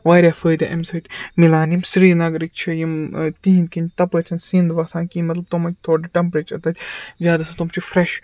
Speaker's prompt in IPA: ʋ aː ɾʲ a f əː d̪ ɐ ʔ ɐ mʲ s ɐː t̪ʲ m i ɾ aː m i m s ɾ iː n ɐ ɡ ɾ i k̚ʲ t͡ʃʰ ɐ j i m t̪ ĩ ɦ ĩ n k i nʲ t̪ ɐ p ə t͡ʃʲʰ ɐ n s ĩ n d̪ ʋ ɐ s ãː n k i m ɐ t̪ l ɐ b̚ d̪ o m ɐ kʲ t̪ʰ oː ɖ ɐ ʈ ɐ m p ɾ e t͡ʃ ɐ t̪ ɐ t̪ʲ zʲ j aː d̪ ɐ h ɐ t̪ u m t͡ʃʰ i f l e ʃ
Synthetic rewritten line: ʋ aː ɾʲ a f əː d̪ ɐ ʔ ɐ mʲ s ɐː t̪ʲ m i l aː n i m s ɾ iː n ɐ ɡ ɾ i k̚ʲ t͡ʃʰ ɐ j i m t̪ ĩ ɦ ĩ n k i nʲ t̪ ɐ p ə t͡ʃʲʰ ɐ n s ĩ n d̪ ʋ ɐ s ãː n k i m ɐ t̪ l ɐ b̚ t̪ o m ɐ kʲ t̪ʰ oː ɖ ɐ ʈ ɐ m p ɾ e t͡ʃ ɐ t̪ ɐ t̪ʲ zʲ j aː d̪ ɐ s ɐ t̪ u m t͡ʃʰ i f ɾ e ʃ